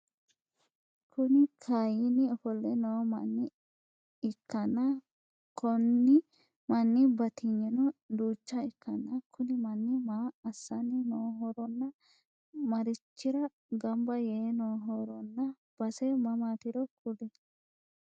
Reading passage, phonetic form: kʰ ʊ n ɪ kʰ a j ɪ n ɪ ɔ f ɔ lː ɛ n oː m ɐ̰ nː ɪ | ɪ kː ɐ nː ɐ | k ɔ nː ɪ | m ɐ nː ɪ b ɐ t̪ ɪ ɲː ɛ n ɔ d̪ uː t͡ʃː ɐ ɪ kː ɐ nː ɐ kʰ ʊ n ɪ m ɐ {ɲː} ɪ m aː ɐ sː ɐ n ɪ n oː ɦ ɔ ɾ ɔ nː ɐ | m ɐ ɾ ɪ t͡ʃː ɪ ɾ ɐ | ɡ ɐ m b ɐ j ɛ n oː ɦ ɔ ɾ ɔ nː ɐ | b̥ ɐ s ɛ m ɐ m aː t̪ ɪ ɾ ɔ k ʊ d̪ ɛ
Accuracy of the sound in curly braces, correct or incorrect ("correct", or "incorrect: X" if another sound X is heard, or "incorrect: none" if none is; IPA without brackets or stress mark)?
incorrect: nː